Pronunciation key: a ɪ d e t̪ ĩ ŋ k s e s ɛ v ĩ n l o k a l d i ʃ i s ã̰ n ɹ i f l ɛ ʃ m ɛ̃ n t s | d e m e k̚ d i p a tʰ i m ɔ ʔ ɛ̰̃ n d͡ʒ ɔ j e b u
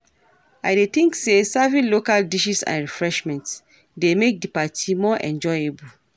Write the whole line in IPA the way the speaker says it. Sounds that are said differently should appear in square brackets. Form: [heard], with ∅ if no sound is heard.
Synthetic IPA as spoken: a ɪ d e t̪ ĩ ŋ k s e s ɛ v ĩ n l o k a l d i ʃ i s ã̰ n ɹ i f [ɹ] ɛ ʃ m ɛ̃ n t s | d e m e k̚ d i p a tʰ i m ɔ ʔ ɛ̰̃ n d͡ʒ ɔ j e b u